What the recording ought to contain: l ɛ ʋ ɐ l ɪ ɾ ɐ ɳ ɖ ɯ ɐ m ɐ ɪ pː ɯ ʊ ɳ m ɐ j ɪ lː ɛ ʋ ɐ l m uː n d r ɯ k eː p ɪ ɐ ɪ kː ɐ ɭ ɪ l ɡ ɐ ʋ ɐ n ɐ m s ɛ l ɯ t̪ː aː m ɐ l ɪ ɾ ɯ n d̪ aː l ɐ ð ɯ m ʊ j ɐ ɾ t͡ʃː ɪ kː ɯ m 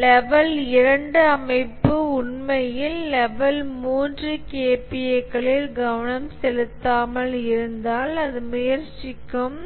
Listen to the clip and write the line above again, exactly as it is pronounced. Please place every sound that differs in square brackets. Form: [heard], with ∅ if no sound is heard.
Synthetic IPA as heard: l ɛ ʋ ɐ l ɪ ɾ ɐ ɳ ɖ ɯ ɐ m ɐ ɪ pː ɯ ʊ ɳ m ɐ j ɪ lː ɛ ʋ ɐ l m uː n d r ɯ k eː p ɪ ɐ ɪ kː ɐ ɭ ɪ l ɡ ɐ ʋ ɐ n ɐ m s ɛ l ɯ t̪ː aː m ɐ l ɪ ɾ ɯ n d̪ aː l ɐ ð ɯ m ʊ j ɐ ɾ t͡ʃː ɪ kː ɯ m

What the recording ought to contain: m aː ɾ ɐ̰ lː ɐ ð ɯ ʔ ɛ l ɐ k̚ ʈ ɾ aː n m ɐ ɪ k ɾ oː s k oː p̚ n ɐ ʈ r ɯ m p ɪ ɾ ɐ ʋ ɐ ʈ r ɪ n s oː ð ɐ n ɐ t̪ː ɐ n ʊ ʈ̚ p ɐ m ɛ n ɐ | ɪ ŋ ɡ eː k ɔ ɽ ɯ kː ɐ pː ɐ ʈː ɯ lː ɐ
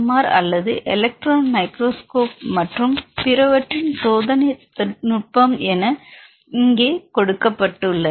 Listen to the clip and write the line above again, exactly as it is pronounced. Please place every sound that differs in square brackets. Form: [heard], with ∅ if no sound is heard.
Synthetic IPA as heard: m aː ɾ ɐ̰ lː ɐ ð ɯ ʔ ɛ l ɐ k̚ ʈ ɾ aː n m ɐ ɪ k ɾ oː s k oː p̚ [m] ɐ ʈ r ɯ m p ɪ ɾ ɐ ʋ ɐ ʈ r ɪ n s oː ð ɐ n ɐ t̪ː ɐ n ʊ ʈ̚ p ɐ m ɛ n ɐ | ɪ ŋ ɡ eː k ɔ ɽ ɯ kː ɐ pː ɐ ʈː ɯ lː ɐ

